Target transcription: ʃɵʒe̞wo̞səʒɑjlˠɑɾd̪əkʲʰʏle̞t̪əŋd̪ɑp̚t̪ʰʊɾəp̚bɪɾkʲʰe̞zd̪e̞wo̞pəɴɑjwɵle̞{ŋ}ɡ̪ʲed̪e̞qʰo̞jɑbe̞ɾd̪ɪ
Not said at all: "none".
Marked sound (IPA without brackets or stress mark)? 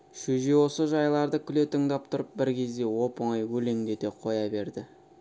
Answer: ŋ